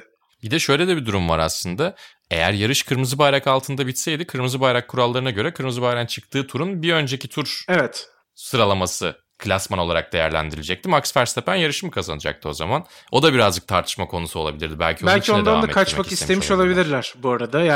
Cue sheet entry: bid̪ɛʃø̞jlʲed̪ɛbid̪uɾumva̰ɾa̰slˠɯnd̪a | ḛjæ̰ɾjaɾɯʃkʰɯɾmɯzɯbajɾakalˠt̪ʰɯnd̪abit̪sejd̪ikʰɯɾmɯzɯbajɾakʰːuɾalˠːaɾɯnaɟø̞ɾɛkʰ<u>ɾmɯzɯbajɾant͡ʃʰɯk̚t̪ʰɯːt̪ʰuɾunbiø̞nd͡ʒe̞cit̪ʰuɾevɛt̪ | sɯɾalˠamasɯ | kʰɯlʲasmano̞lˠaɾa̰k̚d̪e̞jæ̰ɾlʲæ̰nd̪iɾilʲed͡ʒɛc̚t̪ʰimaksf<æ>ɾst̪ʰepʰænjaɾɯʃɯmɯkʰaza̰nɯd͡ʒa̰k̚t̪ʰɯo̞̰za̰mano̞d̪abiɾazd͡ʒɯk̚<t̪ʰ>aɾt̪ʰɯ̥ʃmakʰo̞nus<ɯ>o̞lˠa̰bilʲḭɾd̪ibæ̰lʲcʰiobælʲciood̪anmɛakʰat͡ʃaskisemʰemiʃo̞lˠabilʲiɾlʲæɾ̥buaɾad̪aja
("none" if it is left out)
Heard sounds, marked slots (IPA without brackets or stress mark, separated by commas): ɯ, æ, t̪ʰ, u